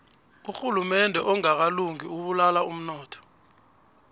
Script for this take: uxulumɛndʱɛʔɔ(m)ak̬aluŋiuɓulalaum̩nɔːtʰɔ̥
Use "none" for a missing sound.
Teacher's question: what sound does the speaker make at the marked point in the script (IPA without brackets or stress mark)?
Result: ŋ